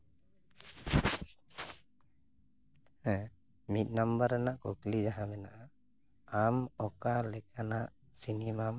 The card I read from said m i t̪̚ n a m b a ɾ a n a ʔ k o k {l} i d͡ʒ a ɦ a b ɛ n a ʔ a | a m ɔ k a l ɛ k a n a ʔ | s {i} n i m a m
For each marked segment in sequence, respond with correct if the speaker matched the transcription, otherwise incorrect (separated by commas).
correct, correct